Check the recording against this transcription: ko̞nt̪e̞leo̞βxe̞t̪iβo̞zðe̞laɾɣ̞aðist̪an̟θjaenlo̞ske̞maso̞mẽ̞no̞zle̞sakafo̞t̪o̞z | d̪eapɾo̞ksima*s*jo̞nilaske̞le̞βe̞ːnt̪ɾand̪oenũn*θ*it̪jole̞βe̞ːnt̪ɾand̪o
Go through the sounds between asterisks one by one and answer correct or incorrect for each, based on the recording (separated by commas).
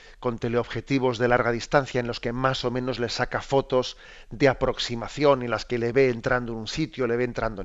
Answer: incorrect, incorrect